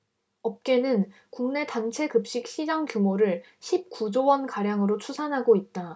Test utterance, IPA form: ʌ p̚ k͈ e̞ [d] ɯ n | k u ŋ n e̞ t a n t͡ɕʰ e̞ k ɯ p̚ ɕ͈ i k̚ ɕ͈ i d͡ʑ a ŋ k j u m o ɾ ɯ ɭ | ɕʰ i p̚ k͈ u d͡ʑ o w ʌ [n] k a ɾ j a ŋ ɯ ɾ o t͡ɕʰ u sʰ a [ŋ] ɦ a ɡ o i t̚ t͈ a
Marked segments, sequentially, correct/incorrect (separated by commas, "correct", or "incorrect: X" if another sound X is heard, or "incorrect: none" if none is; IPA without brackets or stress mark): incorrect: n, correct, incorrect: n